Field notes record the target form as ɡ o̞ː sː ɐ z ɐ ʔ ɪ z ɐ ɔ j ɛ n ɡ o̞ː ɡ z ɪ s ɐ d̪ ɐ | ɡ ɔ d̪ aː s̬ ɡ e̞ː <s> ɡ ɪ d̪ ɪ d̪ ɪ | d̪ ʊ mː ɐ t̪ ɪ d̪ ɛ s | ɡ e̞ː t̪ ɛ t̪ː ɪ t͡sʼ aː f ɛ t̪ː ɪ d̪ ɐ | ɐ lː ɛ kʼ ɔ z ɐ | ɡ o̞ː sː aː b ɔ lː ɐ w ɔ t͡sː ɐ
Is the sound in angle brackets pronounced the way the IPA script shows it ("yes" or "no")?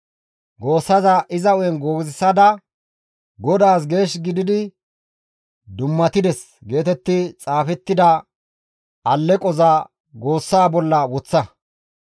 no